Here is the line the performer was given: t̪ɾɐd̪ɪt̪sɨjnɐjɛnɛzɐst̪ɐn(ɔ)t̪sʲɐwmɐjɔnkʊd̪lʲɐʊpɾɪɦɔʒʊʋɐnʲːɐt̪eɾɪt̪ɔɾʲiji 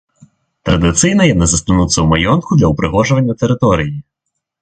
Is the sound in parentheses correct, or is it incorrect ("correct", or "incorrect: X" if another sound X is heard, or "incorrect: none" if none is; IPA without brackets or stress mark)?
incorrect: u